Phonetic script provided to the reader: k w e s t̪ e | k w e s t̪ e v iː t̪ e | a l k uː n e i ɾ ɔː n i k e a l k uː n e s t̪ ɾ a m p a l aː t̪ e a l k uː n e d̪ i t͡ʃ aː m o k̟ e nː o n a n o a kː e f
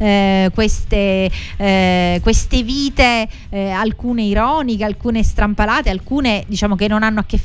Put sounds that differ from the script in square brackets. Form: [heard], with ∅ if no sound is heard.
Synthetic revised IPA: k w e s t̪ e | k w e s t̪ e v iː t̪ e | a l k uː n e i ɾ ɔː n i k e a l k uː n e s t̪ ɾ a m p a l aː t̪ e a l k uː n e d̪ i t͡ʃ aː m o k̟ e nː o n a [nː] o a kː e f